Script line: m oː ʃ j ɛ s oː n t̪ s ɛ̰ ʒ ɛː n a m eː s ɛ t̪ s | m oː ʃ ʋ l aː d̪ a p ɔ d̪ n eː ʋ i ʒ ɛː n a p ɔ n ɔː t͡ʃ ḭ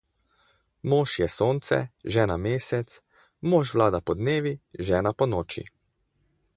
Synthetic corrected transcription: m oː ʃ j ɛ s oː n t̪ s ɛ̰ ʒ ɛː n a m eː s ɛ t̪ s | m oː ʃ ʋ l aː d̪ a p ɔ d̪ n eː ʋ i ʒ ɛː n a p ɔ n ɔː t͡ʃ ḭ